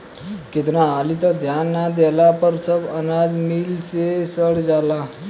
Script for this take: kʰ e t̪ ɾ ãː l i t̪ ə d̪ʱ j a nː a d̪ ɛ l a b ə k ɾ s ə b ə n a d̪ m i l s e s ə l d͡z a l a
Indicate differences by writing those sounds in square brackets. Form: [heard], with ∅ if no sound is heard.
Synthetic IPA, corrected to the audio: [k] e t̪ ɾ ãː l i t̪ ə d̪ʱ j a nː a d̪ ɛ l a [p] ə [∅] ɾ s ə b ə n a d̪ m i l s e s ə [ɽ] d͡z a l a